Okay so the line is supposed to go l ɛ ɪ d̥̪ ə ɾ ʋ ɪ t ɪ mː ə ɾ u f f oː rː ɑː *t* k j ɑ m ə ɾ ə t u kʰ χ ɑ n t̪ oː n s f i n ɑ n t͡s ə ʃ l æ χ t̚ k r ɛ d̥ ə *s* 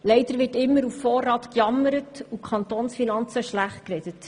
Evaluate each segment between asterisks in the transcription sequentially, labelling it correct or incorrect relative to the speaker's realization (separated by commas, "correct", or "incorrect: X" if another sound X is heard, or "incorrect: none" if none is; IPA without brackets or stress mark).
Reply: correct, incorrect: t